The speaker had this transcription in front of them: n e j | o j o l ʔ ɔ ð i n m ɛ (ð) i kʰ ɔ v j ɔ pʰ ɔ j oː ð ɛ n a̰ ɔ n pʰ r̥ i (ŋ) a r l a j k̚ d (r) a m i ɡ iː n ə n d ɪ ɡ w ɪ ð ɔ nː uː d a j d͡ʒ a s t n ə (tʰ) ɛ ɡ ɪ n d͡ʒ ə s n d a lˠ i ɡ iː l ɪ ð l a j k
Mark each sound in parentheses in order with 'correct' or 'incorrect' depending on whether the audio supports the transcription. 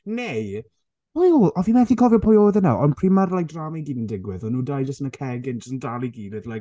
incorrect: θ, incorrect: m, correct, incorrect: kʰ

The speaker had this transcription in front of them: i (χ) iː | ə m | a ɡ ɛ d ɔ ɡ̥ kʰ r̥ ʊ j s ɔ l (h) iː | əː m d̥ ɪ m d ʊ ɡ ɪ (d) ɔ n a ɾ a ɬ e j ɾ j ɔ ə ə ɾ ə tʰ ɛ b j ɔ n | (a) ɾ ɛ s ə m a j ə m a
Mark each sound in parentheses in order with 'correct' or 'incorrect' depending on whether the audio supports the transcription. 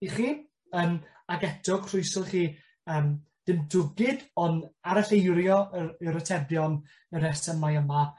correct, incorrect: χ, correct, incorrect: ə

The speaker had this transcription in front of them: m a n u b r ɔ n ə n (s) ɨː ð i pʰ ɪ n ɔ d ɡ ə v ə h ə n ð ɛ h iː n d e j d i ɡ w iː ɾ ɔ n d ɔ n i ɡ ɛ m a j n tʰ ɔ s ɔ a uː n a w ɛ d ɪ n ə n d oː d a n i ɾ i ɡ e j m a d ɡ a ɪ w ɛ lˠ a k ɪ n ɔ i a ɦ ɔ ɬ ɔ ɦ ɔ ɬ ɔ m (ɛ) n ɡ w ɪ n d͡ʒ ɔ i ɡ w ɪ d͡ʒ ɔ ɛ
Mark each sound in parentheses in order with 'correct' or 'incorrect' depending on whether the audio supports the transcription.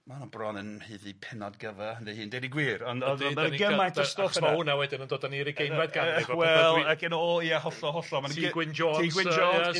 incorrect: h, incorrect: a

